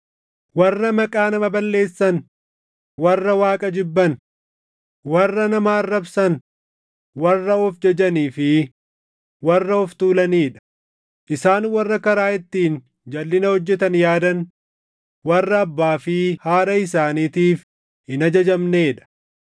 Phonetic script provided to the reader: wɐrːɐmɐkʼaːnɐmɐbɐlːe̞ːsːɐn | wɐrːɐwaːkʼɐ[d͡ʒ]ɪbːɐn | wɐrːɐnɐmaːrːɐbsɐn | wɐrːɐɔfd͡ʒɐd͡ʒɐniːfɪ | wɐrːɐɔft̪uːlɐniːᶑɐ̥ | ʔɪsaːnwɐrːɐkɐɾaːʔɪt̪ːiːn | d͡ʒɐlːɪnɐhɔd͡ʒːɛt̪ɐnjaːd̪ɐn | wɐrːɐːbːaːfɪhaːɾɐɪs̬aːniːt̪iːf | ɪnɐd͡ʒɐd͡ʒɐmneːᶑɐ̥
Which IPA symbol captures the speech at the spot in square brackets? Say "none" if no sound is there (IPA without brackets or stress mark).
d͡ʒ